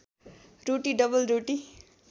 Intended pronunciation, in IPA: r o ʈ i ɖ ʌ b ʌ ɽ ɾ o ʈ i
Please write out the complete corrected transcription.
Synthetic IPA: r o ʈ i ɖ ʌ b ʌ l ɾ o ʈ i